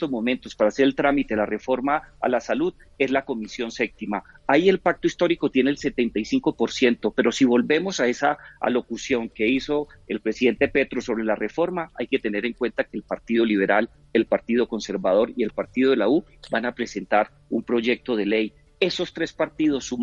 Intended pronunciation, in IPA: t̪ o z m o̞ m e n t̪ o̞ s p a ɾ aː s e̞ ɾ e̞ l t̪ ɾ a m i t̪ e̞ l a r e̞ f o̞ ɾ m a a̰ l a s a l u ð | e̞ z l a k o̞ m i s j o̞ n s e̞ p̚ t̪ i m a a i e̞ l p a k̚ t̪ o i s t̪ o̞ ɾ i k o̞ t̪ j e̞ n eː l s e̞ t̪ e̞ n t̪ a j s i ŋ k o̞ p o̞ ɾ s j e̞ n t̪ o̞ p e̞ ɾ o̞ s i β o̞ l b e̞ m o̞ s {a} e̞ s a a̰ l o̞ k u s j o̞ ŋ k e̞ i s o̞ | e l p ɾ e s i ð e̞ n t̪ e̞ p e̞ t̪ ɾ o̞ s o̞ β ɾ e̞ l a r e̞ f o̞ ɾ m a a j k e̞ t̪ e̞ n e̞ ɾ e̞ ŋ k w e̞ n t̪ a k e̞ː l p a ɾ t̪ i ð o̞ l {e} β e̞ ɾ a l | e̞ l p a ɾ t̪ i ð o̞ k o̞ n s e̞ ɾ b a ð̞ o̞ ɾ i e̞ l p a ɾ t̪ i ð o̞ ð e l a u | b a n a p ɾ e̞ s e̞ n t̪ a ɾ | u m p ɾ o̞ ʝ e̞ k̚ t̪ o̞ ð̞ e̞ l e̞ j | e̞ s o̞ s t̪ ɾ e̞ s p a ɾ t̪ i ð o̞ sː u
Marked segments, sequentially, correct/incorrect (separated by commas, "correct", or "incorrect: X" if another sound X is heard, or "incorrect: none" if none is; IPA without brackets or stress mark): correct, incorrect: i